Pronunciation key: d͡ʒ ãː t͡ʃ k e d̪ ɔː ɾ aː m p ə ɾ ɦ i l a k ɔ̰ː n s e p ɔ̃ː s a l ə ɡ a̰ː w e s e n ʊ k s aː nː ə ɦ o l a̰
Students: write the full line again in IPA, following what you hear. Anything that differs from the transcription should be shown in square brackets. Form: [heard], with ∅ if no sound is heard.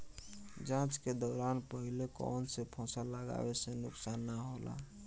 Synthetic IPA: d͡ʒ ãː t͡ʃ k e d̪ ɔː ɾ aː [n] p ə [∅] ɦ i l [e] k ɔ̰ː n s e [pʰ] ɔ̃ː s a l ə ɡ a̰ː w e s e n ʊ k s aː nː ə ɦ o l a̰